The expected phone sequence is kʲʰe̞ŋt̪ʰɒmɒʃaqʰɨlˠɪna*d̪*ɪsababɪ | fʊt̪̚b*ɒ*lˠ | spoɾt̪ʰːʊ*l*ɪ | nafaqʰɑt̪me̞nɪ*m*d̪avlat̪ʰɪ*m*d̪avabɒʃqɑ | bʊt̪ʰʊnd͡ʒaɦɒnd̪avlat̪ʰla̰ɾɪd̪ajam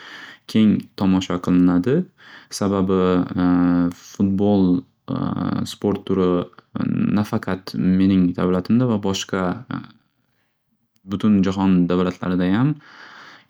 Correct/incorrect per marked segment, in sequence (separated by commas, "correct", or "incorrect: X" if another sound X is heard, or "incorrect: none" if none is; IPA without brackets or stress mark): correct, incorrect: o, incorrect: ɾ, incorrect: ŋ, correct